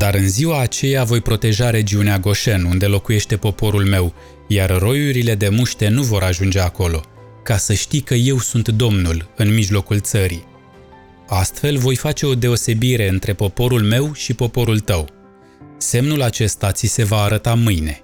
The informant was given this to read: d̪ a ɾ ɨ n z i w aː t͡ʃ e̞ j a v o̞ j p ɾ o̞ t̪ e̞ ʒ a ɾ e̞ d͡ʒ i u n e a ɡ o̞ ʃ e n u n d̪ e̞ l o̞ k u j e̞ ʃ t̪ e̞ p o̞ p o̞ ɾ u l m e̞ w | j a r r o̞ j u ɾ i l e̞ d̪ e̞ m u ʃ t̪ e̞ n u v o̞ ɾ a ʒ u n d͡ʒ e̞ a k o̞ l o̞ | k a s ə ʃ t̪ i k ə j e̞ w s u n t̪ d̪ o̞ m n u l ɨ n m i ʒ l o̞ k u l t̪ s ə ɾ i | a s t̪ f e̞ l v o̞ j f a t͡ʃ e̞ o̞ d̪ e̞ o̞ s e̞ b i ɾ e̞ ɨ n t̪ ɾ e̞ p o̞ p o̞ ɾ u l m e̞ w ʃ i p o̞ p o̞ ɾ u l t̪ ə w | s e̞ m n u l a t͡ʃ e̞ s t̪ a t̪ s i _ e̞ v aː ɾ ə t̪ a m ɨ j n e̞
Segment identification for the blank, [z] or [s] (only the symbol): s